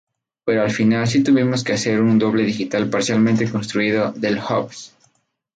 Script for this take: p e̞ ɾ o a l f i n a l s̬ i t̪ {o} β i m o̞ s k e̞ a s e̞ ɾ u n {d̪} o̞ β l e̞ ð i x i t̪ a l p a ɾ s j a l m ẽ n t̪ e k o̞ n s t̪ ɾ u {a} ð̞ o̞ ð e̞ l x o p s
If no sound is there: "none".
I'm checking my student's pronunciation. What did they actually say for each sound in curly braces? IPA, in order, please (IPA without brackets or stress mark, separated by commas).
u, d̪, i